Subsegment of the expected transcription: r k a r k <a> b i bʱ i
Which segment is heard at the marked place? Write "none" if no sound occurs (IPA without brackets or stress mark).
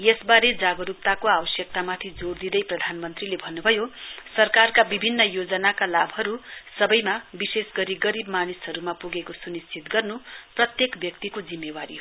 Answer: a